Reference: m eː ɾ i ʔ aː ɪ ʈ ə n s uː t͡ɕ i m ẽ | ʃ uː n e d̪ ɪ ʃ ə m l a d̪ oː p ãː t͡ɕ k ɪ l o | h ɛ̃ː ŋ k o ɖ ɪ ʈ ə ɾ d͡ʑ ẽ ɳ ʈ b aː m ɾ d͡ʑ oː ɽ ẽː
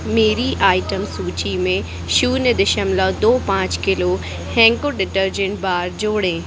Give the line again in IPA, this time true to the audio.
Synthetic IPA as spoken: m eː ɾ i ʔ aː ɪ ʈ ə m s uː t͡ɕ i m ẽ | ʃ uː n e d̪ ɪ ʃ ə m l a d̪ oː p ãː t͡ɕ k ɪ l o | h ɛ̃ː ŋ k o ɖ ɪ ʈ ə ɾ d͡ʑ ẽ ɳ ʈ b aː ɾ d͡ʑ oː ɽ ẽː